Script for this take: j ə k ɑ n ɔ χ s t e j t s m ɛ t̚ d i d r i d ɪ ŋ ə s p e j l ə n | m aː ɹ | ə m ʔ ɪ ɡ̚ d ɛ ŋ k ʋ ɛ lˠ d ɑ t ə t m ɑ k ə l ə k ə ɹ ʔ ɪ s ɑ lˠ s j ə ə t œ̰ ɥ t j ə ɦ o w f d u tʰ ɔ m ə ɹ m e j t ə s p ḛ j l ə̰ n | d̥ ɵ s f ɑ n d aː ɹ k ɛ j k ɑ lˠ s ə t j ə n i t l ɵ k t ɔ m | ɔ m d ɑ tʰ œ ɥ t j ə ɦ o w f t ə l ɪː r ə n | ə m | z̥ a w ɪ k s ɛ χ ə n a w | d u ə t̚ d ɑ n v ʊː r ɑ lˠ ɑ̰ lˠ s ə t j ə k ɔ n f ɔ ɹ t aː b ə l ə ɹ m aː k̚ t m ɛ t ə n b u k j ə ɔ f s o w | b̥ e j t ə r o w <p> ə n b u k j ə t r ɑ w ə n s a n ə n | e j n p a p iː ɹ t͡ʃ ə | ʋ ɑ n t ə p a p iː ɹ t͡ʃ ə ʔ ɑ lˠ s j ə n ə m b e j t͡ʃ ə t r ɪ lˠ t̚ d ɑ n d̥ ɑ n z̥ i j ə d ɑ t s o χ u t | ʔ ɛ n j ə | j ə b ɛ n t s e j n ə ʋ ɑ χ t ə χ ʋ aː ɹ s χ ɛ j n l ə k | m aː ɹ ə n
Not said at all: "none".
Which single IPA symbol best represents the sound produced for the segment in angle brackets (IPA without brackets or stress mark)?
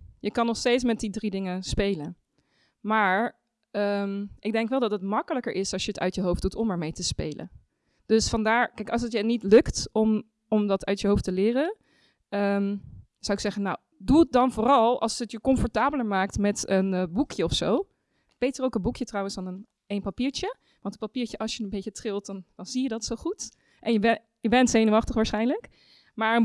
k